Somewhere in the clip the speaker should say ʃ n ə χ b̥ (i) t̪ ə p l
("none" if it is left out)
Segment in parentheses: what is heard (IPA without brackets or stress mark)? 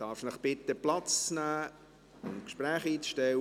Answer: ɪ